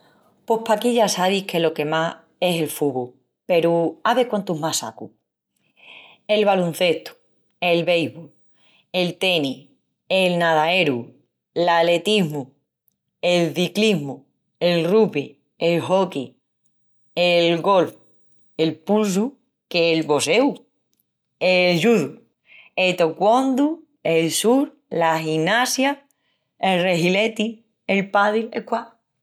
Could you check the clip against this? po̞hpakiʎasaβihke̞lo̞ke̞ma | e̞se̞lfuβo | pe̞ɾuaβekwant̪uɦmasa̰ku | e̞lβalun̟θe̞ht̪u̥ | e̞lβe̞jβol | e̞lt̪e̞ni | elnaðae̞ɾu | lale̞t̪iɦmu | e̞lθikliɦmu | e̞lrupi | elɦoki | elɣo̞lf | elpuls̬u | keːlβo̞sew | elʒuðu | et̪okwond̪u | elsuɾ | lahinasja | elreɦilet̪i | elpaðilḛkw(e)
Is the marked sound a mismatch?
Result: yes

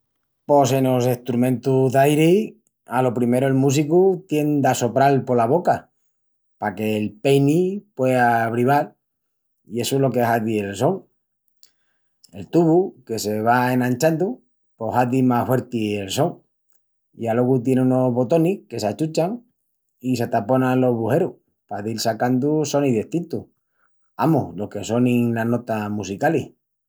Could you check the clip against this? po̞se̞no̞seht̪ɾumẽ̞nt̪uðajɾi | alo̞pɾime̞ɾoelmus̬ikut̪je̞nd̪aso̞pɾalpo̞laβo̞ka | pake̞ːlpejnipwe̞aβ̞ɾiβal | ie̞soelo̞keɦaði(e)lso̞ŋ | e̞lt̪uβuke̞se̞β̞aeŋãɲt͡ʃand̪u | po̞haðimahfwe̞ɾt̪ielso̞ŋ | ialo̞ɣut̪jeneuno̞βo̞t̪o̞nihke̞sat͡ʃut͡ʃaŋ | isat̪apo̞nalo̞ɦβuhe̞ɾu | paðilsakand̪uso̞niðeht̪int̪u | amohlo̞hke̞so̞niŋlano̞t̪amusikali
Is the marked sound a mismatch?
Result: no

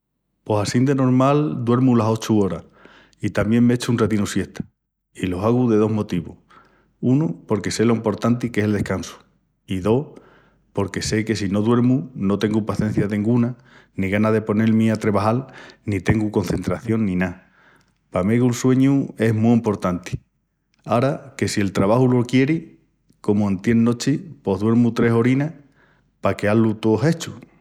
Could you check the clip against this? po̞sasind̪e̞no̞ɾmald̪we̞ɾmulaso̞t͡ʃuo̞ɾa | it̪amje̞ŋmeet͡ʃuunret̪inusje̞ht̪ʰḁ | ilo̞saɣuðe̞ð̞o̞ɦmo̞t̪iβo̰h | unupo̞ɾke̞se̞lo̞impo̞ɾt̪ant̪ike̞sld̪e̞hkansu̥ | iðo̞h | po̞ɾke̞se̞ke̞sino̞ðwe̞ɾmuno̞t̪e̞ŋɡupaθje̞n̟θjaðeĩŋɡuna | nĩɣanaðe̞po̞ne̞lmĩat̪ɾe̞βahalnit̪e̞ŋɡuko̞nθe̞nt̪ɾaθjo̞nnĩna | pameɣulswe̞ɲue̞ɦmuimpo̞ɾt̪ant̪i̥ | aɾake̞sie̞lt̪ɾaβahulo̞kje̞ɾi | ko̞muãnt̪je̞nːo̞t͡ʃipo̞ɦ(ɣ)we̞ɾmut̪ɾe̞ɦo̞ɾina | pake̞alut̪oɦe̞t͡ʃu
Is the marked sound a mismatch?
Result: yes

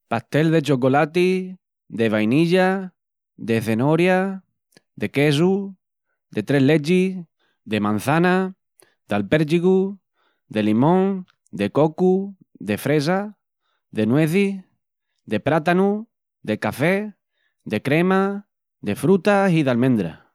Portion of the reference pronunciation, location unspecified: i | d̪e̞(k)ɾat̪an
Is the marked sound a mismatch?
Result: yes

